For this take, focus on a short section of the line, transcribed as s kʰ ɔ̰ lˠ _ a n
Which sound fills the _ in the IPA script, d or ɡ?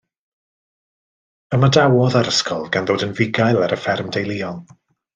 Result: ɡ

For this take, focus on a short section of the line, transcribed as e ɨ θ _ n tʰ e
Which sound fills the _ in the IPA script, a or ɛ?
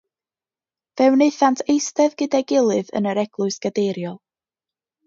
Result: a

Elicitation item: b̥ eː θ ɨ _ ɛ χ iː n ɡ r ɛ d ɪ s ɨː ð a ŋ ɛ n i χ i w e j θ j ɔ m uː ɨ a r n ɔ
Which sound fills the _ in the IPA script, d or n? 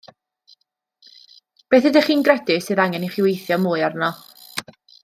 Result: d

